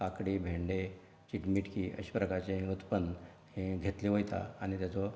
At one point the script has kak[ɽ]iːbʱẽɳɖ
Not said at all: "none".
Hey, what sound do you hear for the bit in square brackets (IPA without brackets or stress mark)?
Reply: ɽ